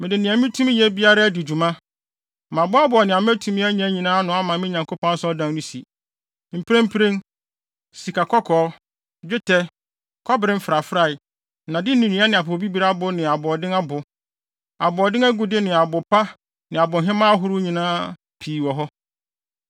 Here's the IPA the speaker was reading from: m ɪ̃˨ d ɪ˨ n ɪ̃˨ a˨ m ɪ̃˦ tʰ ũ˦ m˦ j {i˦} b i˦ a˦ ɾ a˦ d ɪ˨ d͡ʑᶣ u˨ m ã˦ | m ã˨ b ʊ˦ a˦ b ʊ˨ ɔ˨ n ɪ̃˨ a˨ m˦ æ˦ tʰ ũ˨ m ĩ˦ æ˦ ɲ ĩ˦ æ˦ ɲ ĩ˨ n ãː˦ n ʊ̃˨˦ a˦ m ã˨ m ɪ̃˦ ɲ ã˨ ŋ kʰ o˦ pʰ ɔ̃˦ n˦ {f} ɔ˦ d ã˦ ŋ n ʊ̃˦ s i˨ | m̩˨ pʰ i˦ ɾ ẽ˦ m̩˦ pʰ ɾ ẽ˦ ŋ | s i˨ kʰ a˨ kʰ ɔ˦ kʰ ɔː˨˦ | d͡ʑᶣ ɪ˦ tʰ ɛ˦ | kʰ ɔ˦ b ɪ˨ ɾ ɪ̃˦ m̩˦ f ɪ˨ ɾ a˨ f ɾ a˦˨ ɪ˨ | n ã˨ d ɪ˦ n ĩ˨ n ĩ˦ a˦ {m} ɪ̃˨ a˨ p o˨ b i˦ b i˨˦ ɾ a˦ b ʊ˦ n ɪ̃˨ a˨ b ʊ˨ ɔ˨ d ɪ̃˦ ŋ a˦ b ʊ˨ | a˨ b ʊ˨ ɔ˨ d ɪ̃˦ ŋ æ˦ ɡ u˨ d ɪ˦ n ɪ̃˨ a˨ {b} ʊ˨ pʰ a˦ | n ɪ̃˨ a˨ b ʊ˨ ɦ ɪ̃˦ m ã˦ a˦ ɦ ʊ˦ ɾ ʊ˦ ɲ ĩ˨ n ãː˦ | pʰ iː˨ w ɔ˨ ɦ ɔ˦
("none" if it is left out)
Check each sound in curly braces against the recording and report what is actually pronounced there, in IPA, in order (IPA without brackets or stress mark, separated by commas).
ɛ˦, s, n, b